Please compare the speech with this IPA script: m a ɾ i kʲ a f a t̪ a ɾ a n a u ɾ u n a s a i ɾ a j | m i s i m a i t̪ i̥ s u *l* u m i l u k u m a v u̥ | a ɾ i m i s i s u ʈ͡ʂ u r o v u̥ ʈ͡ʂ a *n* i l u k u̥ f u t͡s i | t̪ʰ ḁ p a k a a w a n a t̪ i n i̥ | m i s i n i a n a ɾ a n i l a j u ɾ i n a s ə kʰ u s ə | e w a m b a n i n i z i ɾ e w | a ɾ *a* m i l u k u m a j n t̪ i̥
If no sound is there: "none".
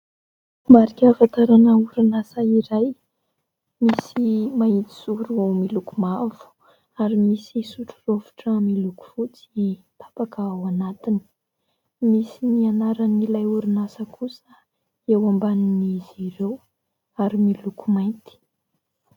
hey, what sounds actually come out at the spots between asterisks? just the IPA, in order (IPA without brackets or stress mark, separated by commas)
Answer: ɾ, m, i